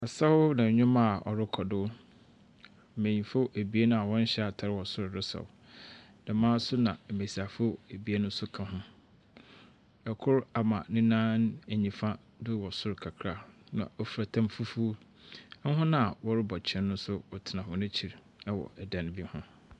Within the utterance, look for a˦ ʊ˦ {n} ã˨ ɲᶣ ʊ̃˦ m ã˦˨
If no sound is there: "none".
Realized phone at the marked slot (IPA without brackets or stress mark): n